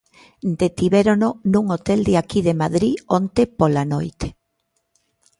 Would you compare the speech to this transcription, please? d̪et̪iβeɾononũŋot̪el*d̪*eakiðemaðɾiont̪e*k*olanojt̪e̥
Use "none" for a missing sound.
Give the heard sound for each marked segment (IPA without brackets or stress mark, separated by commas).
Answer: d̪, p